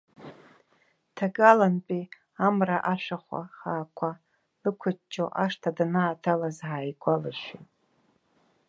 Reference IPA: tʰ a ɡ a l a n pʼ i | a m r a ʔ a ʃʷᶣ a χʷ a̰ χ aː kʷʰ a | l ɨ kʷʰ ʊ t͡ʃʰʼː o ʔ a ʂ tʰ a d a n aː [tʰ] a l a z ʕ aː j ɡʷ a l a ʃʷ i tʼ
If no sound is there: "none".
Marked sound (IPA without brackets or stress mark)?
tʰ